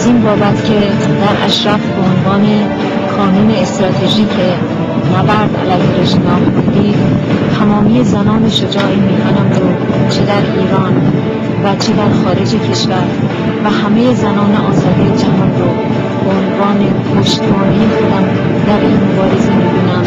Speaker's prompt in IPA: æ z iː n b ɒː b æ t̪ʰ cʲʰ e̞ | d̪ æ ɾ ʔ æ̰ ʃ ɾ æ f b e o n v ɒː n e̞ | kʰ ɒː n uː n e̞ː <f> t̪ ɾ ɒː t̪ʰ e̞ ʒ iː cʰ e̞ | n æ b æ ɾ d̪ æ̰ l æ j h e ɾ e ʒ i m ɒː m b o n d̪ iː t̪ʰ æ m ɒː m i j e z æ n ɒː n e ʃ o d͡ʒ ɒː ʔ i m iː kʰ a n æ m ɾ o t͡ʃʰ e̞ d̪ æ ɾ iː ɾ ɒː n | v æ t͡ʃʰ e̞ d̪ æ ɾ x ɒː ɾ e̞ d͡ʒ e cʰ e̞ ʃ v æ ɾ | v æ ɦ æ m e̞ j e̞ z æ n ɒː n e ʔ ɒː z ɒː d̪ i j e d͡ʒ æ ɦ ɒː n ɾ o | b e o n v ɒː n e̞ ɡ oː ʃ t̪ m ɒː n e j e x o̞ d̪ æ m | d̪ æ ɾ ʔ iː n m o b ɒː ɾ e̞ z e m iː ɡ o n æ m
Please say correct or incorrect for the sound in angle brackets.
incorrect